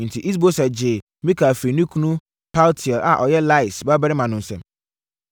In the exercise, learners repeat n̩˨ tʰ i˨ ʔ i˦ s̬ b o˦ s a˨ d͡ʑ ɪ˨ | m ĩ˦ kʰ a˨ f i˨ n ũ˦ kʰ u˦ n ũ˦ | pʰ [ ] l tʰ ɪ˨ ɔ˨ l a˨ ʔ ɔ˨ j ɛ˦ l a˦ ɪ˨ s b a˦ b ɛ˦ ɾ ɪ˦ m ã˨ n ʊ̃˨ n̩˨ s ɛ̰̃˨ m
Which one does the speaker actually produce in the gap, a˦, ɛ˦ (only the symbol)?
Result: a˦